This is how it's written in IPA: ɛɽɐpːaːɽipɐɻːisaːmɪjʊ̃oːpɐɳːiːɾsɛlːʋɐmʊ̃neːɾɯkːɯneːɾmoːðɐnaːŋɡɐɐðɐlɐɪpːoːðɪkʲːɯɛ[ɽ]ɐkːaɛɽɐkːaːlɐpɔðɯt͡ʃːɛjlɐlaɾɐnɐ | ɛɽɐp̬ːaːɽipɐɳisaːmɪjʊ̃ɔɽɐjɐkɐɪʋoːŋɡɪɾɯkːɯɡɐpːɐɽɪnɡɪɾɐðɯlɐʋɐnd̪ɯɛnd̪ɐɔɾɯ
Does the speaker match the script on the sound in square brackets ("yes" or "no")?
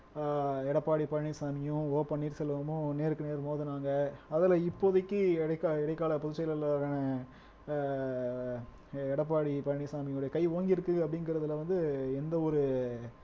yes